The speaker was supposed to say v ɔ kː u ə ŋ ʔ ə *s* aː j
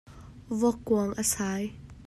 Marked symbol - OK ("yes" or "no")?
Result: yes